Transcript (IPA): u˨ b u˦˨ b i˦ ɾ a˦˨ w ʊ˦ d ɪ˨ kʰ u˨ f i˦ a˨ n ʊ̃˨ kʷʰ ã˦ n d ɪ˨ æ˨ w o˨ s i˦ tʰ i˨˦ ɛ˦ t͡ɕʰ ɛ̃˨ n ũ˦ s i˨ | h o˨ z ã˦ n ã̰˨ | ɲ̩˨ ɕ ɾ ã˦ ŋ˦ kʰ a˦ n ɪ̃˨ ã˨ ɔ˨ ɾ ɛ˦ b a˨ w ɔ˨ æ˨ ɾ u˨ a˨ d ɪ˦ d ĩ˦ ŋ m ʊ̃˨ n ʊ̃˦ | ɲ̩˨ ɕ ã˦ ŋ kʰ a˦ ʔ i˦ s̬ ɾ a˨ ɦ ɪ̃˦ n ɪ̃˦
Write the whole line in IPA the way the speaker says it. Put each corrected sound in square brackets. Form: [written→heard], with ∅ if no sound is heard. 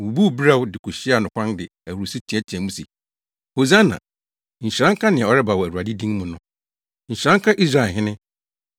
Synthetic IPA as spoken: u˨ b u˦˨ b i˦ ɾ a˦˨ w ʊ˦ d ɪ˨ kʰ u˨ [f→ɕ] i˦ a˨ n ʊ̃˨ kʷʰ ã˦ n d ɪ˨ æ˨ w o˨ s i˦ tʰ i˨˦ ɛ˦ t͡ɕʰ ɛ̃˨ [n→m] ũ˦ s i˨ | h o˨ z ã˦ n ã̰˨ | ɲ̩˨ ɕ ɾ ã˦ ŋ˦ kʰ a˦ n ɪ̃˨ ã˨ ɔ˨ ɾ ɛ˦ b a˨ w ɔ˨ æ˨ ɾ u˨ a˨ d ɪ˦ d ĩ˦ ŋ m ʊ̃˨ n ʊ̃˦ | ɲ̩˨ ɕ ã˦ ŋ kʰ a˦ ʔ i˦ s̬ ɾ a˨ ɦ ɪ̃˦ n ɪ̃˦

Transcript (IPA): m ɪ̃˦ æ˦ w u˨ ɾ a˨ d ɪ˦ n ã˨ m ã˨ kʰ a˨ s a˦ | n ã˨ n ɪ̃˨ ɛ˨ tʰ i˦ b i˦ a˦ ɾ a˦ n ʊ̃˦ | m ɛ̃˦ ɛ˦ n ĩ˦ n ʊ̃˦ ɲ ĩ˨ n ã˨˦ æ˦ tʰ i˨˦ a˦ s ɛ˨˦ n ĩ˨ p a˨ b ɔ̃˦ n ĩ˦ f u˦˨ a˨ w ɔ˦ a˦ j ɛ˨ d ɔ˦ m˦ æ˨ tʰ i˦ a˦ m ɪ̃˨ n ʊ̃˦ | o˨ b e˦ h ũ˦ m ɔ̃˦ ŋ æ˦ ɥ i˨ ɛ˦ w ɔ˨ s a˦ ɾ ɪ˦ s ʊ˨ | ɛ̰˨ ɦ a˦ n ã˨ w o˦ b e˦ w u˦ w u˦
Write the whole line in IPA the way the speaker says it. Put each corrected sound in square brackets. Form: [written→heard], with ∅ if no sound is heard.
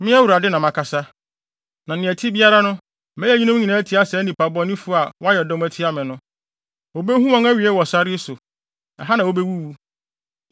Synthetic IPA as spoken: m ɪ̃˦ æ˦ w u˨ ɾ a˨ d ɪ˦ n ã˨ m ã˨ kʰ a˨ s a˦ | n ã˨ n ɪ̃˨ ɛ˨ tʰ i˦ b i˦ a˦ ɾ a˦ n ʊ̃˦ | m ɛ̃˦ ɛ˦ [n→ɲ] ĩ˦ n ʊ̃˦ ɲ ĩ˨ n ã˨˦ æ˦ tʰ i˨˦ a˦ s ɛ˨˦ n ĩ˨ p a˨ b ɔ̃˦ n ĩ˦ f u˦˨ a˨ w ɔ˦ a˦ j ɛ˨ d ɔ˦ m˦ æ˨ tʰ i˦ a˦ m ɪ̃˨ n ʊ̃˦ | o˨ b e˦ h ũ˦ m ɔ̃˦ ŋ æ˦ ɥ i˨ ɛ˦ w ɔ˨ s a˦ ɾ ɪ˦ s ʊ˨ | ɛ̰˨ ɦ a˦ n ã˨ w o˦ b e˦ w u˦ w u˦

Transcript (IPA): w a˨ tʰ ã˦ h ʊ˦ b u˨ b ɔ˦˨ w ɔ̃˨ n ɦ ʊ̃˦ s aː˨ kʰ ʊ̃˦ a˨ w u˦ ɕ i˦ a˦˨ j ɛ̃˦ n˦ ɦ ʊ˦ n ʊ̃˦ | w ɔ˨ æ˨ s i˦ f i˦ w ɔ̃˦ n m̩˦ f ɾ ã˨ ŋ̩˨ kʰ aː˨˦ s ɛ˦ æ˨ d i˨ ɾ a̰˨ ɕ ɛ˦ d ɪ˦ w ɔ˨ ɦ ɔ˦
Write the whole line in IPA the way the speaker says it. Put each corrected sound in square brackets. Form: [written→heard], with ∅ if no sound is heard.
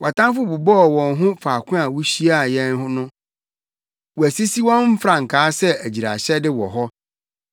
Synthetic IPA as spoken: w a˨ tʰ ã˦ [h→f] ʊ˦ b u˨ b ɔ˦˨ w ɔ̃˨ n ɦ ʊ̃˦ [s→f] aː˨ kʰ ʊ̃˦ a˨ w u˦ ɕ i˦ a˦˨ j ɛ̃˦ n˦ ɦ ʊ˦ n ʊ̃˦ | w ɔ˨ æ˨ s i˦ [f→s] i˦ w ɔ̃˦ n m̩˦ f ɾ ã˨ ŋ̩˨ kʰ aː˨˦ s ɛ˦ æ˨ [d→d͡ʑ] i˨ ɾ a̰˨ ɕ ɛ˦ d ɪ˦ w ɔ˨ ɦ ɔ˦

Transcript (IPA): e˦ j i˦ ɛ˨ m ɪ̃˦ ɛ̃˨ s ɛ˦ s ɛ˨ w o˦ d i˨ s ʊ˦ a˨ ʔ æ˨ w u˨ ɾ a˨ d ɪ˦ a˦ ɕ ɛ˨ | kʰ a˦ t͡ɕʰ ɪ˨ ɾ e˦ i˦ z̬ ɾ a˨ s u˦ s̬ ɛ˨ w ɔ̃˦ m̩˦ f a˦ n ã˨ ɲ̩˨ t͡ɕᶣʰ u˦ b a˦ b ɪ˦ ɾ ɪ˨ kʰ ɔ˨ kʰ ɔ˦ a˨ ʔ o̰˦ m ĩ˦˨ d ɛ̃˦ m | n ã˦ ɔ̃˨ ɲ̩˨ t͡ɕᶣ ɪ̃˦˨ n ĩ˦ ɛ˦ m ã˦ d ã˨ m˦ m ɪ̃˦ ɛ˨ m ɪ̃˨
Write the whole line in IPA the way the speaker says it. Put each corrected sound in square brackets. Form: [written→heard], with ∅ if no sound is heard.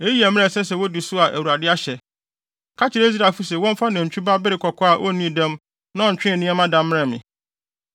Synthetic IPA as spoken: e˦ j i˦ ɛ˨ m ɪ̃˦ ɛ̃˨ s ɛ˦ s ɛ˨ w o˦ d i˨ s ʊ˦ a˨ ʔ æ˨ w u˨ ɾ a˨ d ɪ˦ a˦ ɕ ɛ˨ | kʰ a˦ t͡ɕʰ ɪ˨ ɾ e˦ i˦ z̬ ɾ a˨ [s→f] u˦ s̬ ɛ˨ w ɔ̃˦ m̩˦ f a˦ n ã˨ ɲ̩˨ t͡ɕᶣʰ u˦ b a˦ b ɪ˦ ɾ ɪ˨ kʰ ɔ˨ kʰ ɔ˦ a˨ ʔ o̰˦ [m→n] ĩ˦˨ d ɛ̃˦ m | n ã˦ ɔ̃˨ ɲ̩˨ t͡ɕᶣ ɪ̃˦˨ n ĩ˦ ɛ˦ m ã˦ d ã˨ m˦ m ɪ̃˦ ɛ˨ m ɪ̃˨

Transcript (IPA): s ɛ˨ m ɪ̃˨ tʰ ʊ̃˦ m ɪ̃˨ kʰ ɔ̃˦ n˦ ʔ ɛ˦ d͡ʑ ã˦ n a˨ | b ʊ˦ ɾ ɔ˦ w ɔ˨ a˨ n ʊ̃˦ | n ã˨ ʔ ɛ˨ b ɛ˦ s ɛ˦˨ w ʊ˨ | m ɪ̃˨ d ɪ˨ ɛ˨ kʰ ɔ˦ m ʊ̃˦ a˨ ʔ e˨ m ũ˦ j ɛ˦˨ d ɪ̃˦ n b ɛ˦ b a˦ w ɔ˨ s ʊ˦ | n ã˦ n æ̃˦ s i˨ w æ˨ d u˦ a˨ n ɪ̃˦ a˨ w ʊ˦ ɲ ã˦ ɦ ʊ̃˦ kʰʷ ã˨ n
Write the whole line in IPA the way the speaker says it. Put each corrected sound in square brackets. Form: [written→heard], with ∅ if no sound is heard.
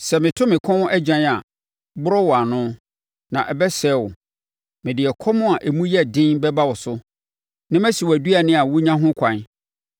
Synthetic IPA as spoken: s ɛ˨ m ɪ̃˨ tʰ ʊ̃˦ m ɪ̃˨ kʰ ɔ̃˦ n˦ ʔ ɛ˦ d͡ʑ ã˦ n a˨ | b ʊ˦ ɾ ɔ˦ w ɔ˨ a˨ n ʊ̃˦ | n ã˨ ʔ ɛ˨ b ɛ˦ s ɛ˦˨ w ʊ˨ | m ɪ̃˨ d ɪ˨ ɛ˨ kʰ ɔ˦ m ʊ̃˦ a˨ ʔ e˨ m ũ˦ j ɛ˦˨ d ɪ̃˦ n b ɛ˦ b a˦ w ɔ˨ s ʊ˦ | n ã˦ [n→m] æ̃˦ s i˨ w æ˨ d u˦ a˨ n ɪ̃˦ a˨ w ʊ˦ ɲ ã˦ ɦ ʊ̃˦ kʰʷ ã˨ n

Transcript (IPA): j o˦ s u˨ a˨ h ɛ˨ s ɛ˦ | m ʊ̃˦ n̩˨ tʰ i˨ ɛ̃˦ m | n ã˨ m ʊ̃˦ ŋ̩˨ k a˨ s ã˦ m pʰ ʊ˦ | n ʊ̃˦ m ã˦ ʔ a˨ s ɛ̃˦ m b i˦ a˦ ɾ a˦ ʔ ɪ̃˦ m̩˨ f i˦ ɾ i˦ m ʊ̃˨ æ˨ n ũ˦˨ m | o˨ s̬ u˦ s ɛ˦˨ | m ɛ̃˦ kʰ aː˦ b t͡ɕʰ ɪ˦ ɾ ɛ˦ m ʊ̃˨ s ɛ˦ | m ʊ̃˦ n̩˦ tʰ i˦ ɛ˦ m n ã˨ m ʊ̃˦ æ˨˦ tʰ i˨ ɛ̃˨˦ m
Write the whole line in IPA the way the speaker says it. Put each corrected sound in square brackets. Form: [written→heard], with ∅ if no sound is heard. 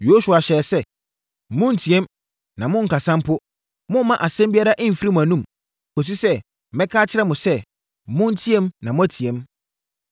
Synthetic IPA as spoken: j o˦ s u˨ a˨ [h→ɕ] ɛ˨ s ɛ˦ | m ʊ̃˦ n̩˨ tʰ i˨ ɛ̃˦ m | n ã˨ m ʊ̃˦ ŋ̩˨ k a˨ s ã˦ m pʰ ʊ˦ | [n→m] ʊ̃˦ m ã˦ ʔ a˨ s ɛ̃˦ m b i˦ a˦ ɾ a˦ ʔ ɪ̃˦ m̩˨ f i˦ ɾ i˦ m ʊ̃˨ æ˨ n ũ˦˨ m | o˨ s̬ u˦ s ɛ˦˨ | m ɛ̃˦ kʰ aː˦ [b→∅] t͡ɕʰ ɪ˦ ɾ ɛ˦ m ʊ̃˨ s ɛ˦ | m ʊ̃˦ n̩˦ tʰ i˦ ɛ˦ m n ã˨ m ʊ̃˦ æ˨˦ tʰ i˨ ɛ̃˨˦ m

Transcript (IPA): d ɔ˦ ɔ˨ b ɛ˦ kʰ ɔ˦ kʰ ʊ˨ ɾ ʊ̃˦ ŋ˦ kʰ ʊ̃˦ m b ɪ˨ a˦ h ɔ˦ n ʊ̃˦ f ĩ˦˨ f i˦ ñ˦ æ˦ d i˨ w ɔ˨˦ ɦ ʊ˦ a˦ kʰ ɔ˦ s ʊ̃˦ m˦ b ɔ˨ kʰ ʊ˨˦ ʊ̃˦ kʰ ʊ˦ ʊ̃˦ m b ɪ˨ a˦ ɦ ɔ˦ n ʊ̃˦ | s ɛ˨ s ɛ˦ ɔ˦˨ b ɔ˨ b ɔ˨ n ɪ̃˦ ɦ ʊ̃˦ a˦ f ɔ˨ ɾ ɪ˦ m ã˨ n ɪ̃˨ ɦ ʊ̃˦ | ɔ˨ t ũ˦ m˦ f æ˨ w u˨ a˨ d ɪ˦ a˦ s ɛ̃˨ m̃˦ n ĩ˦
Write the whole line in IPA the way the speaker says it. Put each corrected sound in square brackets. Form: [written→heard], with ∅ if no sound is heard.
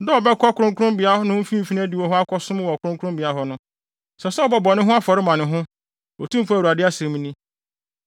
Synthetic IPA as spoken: d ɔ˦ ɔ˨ b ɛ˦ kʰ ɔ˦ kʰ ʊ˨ ɾ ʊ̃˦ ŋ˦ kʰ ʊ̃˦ m b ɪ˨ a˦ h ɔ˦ n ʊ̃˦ f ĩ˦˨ f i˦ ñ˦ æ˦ d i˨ w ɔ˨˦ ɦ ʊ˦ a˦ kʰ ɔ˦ s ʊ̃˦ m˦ [b→w] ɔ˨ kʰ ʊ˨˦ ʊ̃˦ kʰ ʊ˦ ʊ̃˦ m b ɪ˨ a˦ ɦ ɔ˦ n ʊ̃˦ | s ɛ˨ s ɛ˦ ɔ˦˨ b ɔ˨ b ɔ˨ n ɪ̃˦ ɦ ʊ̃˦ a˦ f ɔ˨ ɾ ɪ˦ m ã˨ n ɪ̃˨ ɦ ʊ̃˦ | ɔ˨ t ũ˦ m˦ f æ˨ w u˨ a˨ d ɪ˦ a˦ s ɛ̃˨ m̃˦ n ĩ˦

